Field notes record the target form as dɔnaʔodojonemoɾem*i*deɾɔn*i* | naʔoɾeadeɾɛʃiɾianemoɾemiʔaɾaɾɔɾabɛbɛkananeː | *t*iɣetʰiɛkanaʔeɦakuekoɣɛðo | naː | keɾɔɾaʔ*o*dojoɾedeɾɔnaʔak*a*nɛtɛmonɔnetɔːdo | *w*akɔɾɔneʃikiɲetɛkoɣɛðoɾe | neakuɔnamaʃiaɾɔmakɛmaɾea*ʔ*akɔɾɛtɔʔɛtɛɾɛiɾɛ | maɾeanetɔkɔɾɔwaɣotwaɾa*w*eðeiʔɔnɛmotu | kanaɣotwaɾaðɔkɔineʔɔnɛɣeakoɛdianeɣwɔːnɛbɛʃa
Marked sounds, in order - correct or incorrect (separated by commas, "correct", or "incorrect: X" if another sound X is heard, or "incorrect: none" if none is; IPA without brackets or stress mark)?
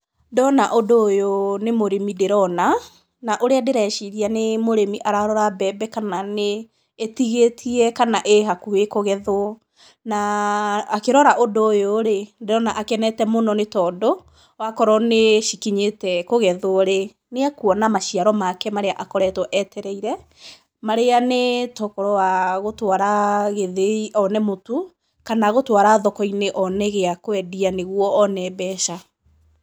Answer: correct, incorrect: a, correct, correct, incorrect: ɛ, correct, correct, incorrect: ɣ